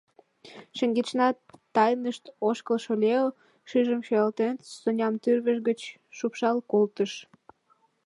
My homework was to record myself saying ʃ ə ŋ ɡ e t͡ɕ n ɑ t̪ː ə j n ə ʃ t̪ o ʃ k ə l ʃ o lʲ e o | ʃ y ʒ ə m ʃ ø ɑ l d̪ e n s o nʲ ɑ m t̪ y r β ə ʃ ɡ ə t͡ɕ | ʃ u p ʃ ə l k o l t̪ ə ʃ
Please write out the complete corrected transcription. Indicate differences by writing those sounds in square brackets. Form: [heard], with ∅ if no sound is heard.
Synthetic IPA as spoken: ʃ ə ŋ ɡ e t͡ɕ n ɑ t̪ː [ɑ] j n ə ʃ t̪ o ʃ k ə l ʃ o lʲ e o | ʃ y ʒ ə m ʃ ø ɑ l [t̪] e n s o nʲ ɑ m t̪ y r β ə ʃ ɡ ə t͡ɕ | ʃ u p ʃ [ɑ] l k o l t̪ ə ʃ